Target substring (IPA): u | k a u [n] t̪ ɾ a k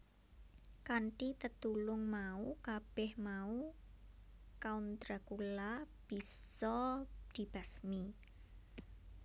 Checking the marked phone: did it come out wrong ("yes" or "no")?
no